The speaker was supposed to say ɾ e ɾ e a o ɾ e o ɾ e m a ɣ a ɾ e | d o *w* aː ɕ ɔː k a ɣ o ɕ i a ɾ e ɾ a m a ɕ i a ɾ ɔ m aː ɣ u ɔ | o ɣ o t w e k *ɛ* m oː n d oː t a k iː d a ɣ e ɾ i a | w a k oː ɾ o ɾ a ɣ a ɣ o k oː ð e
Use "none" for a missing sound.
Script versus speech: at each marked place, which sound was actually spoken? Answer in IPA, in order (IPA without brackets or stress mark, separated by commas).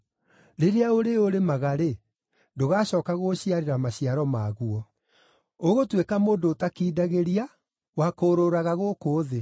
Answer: ɣ, a